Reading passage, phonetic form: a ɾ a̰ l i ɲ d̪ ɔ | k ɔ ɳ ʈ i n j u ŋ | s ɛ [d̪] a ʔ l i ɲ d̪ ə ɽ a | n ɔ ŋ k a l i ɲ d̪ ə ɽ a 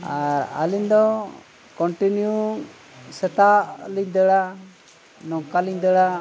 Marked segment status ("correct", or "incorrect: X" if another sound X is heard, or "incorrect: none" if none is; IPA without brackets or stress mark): incorrect: t̪